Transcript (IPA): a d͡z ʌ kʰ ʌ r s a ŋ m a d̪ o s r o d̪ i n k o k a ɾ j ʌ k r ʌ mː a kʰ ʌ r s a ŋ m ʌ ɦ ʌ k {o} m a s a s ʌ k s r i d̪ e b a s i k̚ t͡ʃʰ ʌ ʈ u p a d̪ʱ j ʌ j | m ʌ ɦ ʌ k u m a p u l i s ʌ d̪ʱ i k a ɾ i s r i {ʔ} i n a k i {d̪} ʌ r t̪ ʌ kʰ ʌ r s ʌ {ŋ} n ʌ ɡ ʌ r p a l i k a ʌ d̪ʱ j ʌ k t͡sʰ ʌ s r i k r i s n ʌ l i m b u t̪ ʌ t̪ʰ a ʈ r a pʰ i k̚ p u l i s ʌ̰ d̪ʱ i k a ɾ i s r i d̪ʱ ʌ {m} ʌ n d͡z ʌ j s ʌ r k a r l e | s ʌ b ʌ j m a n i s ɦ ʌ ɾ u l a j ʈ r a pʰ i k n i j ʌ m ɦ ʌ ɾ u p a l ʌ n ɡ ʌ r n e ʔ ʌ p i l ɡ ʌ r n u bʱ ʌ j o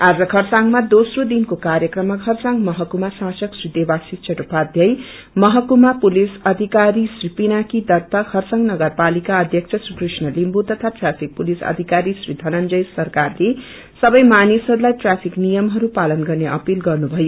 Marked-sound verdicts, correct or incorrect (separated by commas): incorrect, incorrect, correct, correct, incorrect